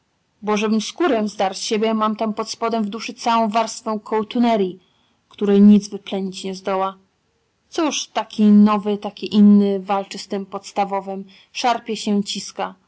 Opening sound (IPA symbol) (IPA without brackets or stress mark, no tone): b